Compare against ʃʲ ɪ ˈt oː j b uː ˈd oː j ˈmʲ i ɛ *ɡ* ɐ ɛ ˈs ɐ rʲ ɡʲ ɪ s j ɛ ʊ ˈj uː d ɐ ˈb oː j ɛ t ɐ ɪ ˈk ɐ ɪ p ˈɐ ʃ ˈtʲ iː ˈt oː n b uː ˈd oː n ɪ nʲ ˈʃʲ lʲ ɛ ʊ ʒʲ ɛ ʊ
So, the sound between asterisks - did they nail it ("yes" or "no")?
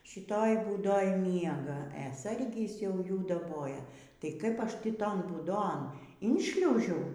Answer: yes